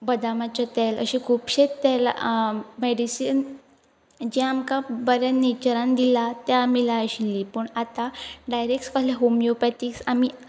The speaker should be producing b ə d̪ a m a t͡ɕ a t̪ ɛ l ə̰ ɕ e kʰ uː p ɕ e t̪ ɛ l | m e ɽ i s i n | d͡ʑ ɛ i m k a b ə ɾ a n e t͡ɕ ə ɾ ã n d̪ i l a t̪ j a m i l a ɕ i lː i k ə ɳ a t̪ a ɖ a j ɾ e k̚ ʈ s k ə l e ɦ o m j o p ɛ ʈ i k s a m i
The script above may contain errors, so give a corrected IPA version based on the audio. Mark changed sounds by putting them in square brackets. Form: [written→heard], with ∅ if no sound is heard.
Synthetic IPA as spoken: b ə d̪ a m a t͡ɕ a t̪ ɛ l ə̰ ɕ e kʰ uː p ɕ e t̪ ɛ l | m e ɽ i s i n | d͡ʑ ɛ [i→a] m k a b ə ɾ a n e t͡ɕ ə ɾ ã n d̪ i l a t̪ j a m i l a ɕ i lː i [k→p] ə ɳ a t̪ a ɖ a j ɾ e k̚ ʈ s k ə l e ɦ o m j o p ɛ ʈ i k s a m i